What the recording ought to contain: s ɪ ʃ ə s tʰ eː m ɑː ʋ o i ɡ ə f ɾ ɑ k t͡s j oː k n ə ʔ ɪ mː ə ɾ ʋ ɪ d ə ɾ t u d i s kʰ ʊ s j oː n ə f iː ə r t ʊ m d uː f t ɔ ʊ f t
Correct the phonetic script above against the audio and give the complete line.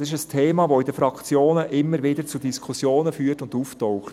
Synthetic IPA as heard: s ɪ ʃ ə s tʰ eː m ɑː ʋ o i d ə f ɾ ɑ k t͡s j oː n ə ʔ ɪ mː ə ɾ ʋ ɪ d ə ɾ t͡s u d i s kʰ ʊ s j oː n ə f yː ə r t ʊ n d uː f t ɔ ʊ χ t